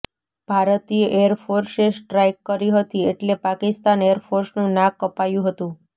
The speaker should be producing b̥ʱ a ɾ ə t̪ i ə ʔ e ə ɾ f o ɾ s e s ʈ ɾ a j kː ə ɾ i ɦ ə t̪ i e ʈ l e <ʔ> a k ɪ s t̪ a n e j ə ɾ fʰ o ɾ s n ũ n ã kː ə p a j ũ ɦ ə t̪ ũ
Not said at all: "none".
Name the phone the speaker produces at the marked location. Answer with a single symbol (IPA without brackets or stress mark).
p